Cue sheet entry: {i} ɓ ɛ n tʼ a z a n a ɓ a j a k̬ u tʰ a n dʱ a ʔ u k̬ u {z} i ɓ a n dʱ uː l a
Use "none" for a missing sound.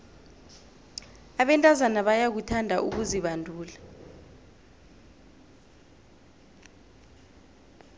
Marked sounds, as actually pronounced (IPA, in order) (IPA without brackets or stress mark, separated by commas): a, z